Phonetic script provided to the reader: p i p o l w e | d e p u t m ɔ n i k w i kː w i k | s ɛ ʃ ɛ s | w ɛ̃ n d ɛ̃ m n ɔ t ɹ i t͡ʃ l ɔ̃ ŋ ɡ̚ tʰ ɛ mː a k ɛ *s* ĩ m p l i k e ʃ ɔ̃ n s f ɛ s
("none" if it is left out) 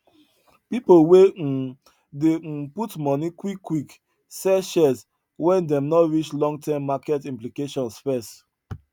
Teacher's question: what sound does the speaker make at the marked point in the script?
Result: t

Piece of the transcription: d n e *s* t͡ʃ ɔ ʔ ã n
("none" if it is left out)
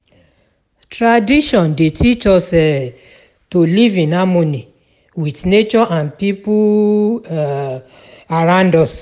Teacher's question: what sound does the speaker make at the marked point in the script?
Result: none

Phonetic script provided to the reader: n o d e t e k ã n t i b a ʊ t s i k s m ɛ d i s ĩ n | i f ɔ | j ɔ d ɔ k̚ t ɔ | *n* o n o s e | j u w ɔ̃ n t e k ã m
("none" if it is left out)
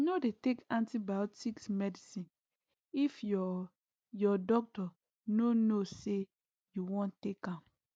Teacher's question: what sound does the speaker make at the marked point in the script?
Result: n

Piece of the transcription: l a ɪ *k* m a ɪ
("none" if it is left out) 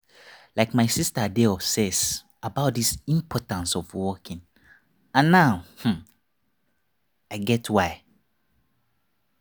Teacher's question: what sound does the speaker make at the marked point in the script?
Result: k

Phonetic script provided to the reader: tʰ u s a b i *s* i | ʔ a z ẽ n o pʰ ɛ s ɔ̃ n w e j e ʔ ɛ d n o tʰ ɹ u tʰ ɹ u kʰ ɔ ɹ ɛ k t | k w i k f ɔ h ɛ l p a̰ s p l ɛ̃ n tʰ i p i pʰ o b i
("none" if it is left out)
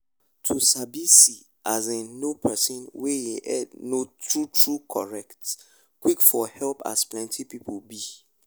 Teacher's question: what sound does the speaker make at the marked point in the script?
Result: s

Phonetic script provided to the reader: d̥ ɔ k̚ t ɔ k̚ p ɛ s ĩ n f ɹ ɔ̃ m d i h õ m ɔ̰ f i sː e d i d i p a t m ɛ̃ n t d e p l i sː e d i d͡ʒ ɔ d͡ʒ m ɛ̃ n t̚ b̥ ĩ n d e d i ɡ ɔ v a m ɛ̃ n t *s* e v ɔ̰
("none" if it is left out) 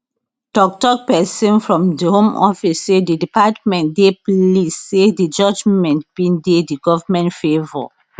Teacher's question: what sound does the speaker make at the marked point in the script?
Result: f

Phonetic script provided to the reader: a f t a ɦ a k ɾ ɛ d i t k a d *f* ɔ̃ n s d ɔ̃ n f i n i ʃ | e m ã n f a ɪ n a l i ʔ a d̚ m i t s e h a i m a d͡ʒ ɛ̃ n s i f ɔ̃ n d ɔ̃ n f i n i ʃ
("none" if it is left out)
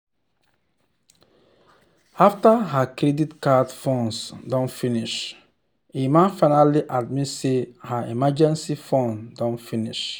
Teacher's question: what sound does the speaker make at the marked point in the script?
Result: f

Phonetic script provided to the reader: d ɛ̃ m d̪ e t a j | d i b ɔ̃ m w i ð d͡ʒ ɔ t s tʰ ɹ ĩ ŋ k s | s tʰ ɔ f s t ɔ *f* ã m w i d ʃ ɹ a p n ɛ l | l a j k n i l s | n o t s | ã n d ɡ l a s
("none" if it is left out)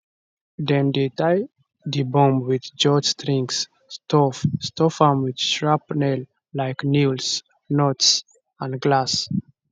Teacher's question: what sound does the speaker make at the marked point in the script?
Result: f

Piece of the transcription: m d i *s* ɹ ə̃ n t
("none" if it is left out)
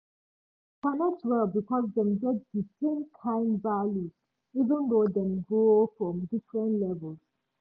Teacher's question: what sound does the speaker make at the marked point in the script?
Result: f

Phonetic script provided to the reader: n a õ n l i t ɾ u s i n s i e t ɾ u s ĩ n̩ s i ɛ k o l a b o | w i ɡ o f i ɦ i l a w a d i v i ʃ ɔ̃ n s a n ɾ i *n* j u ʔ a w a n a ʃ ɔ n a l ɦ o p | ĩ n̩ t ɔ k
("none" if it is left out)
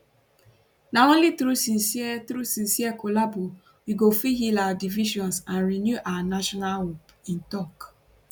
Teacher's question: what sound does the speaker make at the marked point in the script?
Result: n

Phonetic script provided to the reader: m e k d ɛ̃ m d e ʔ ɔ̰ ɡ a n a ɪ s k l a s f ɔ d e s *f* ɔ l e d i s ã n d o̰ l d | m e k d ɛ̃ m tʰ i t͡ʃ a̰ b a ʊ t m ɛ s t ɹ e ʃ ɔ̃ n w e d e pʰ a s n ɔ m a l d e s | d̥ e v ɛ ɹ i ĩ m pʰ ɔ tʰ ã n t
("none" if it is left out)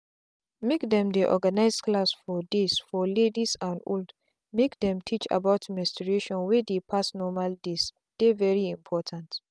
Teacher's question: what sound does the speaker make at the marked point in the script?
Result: f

